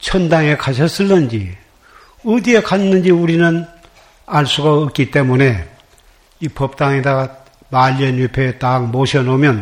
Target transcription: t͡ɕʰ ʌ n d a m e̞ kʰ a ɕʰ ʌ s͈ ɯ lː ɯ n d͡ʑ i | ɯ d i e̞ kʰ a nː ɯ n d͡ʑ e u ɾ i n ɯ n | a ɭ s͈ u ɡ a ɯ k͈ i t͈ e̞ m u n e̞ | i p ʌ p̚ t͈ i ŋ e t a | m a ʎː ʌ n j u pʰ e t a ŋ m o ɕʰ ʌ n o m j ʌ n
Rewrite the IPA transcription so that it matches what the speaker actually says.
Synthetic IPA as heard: t͡ɕʰ ʌ n d a ŋ e̞ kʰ a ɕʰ ʌ s͈ ɯ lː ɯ n d͡ʑ i | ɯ d i e̞ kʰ a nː ɯ n d͡ʑ i u ɾ i n ɯ n | a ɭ s͈ u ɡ a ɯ k͈ i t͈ e̞ m u n e̞ | i p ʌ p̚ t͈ a ŋ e d a | m a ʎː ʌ n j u pʰ e t a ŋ m o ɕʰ ʌ n o m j ʌ n